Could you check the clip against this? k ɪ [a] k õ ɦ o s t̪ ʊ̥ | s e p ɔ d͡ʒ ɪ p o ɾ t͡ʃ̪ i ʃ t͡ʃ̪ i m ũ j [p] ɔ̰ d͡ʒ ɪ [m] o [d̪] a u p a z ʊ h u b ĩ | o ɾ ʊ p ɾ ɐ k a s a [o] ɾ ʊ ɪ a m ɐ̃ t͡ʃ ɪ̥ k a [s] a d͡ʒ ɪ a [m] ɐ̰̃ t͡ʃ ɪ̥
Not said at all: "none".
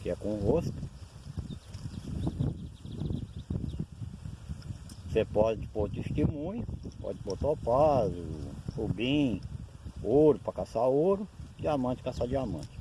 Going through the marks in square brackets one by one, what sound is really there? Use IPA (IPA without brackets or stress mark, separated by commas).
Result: ɛ, p, b, t̪, o, s, m